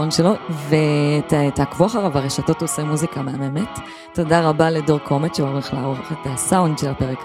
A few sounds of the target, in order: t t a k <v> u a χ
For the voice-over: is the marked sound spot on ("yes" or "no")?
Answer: yes